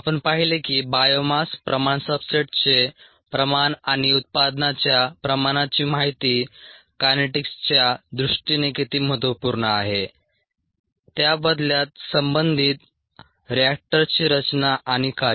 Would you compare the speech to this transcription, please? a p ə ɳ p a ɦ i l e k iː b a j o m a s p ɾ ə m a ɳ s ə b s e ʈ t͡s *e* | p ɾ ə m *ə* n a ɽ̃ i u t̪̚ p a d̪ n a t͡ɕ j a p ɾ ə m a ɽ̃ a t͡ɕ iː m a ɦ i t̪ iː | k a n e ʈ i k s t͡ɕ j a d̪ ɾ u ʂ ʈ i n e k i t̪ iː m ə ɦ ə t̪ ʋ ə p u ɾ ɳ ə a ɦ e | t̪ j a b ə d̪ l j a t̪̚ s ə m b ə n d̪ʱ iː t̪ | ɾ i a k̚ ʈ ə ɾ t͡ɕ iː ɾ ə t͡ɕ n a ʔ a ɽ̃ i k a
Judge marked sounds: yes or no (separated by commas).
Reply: yes, no